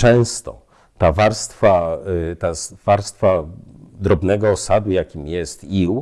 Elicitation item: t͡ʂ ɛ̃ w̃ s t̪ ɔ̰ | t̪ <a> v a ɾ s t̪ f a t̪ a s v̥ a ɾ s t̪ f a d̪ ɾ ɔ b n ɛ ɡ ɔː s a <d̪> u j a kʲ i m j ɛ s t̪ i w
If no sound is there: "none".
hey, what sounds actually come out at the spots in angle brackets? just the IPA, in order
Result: a, d̪

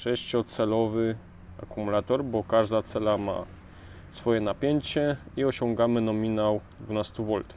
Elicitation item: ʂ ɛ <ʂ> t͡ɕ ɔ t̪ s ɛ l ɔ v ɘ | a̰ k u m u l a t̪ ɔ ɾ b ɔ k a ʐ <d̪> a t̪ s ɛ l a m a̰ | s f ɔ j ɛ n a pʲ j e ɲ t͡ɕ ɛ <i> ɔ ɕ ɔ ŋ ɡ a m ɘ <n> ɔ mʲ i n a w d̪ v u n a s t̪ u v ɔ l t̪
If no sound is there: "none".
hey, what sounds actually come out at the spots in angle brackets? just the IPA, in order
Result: ɕ, d̪, i, n

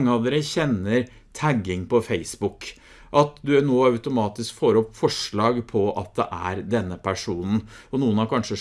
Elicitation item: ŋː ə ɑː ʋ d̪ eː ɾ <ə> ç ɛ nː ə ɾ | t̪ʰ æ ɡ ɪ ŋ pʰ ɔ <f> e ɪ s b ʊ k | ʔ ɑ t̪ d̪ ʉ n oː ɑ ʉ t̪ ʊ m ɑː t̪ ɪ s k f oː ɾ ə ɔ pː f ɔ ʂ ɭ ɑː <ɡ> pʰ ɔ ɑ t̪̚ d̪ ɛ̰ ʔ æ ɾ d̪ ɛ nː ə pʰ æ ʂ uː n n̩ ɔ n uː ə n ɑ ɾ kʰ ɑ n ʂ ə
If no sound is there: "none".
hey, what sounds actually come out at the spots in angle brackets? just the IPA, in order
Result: ə, f, ɡ

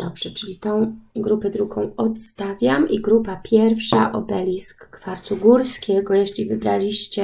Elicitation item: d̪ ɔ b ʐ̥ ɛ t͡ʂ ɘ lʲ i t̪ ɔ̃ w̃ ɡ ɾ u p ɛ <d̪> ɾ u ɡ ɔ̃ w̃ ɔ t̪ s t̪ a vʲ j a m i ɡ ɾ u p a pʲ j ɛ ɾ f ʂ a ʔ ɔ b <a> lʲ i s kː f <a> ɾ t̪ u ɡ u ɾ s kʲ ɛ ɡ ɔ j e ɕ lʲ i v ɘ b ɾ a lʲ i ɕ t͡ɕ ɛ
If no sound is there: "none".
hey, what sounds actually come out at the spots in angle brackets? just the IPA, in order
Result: d̪, ɛ, a

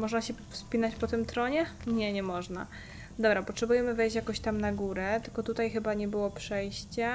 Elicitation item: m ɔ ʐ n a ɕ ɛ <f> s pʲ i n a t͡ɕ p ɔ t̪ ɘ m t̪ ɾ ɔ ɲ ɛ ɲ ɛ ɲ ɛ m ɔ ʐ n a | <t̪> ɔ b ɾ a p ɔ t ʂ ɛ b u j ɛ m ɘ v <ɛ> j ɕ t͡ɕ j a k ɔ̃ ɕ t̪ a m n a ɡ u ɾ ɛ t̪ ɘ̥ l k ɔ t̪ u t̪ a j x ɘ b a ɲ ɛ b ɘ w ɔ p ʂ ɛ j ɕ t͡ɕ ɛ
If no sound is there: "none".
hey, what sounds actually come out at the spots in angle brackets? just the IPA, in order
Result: f, d̪, ɛ

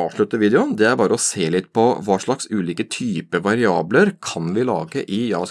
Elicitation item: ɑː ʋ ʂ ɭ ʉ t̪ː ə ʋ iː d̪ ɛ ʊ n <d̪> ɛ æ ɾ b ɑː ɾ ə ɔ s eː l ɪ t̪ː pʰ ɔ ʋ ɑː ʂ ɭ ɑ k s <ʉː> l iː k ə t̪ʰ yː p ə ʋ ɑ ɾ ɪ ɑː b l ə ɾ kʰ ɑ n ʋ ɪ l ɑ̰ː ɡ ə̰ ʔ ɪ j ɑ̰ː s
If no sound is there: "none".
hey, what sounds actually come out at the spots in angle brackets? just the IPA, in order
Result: d̪, ʉː

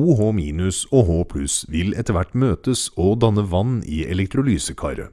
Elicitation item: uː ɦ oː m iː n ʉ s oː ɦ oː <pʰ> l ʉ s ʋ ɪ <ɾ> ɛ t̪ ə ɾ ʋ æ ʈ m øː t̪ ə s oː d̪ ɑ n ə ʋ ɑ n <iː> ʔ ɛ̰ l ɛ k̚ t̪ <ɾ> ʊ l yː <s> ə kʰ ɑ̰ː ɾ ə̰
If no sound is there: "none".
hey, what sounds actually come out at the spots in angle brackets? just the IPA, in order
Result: pʰ, l, iː, ɾ, s

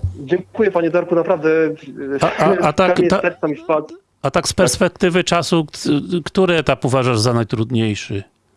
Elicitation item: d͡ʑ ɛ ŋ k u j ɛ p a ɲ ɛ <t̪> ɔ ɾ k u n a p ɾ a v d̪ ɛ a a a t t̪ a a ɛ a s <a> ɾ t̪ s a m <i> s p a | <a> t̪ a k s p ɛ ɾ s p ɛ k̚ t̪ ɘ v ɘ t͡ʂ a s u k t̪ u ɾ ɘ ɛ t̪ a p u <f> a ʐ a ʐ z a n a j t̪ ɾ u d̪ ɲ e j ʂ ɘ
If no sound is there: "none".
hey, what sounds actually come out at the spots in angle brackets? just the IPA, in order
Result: d̪, ɛ, i, a, v

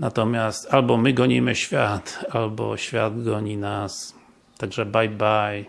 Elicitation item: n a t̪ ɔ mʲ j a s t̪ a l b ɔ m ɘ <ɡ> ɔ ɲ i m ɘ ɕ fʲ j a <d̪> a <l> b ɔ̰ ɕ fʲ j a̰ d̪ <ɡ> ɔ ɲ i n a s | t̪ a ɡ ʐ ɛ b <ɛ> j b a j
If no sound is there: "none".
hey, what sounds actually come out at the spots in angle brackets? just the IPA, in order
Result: ɡ, t̪, l, ɡ, a

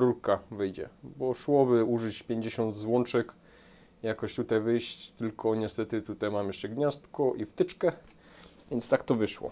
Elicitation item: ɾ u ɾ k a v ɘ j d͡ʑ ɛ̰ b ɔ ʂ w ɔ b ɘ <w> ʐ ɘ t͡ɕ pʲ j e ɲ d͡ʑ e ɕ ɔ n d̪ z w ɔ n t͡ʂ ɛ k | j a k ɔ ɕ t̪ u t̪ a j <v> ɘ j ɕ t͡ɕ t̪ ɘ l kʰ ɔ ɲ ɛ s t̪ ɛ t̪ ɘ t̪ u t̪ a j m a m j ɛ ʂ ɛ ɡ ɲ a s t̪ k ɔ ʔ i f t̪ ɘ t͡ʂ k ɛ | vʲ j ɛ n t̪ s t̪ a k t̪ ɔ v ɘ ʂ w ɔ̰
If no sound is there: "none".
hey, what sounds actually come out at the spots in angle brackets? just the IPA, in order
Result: u, v

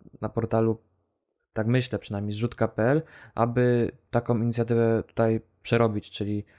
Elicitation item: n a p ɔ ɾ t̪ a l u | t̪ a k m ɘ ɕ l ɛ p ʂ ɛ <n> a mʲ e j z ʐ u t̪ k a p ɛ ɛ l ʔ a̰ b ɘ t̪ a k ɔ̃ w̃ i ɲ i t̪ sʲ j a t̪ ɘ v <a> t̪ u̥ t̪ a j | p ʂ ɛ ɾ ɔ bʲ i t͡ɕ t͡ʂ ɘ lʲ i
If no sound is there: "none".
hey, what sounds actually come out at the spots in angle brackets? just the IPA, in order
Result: n, ɛ

